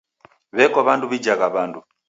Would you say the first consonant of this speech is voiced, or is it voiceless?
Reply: voiced